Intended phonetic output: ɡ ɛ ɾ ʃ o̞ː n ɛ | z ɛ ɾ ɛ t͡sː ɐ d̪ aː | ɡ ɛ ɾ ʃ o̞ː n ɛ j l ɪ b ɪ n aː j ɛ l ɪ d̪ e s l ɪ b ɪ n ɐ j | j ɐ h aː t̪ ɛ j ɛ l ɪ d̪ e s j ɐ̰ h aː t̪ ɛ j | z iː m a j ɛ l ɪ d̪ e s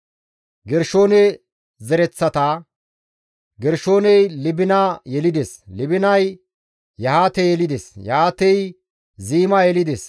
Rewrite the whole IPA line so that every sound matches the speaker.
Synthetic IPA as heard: ɡ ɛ ɾ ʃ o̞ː n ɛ | z ɛ ɾ ɛ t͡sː ɐ t̪ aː | ɡ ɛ ɾ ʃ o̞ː n ɛ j l ɪ b ɪ n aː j ɛ l ɪ d̪ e s l ɪ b ɪ n ɐ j | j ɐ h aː t̪ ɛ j ɛ l ɪ d̪ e s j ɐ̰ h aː t̪ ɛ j | z iː m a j ɛ l ɪ d̪ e s